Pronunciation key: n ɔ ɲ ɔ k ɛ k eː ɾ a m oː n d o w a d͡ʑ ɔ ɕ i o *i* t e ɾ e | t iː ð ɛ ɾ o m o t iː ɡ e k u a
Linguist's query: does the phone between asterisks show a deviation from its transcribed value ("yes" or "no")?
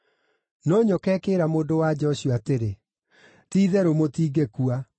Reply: yes